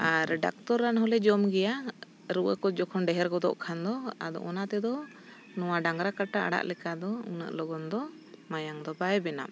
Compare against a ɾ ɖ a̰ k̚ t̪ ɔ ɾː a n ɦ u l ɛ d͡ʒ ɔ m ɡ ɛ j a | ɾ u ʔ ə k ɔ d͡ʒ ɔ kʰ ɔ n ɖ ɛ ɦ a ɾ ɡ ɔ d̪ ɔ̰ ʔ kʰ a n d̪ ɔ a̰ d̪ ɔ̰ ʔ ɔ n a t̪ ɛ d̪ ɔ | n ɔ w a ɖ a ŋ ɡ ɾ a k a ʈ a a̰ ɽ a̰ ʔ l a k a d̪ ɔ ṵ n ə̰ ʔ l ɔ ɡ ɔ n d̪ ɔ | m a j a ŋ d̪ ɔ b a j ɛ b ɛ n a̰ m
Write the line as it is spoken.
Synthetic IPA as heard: a ɾ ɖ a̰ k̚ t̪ ɔ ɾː a n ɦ ɔ l ɛ d͡ʒ ɔ m ɡ ɛ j a | ɾ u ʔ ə k ɔ d͡ʒ ɔ kʰ ɔ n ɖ ɛ ɦ ɛ ɾ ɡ ɔ d̪ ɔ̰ ʔ kʰ a n d̪ ɔ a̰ d̪ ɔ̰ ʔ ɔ n a t̪ ɛ d̪ ɔ | n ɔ w a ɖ a ŋ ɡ ɾ a k a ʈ a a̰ ɽ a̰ ʔ l ɛ k a d̪ ɔ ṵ n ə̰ ʔ l ɔ ɡ ɔ n d̪ ɔ | m a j a ŋ d̪ ɔ b a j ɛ b ɛ n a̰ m